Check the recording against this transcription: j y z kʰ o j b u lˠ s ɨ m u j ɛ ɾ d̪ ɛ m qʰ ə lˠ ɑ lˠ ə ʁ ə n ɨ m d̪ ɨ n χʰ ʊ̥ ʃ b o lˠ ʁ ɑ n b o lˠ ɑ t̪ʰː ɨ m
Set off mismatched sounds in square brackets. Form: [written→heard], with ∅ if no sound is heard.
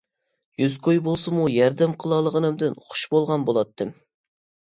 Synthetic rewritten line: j y z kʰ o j b [u→o] lˠ s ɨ m u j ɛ ɾ d̪ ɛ m qʰ ə lˠ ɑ lˠ ə ʁ ə n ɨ m d̪ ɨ n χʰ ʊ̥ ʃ b o lˠ ʁ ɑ n b o lˠ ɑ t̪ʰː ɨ m